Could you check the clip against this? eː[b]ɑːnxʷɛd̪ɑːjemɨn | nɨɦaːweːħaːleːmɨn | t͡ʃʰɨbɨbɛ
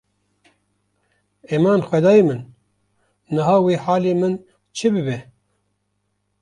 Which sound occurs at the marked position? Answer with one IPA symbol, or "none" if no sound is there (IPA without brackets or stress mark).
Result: m